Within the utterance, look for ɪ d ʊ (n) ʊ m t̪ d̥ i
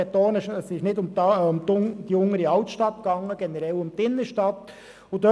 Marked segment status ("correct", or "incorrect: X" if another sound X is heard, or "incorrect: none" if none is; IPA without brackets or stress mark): incorrect: m